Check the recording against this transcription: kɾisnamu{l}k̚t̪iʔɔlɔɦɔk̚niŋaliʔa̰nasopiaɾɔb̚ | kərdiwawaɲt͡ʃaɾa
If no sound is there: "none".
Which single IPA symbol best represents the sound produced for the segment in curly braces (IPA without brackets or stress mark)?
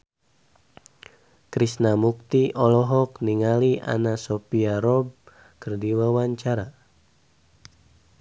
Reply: none